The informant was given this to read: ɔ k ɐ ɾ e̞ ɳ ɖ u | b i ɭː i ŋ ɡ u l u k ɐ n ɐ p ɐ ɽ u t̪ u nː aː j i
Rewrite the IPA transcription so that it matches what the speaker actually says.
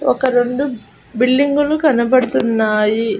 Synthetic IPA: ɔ k ɐ ɾ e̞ ɳ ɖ u | b i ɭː i ŋ ɡ u l u k ɐ n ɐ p ɐ ɽ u t̪ u nː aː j i